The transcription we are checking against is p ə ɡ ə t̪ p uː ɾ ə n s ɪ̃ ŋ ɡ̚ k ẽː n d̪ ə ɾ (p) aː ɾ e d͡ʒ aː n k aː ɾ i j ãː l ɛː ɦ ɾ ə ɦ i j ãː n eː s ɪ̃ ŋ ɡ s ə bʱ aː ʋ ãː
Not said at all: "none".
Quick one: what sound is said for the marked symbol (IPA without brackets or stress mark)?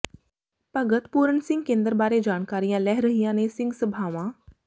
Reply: b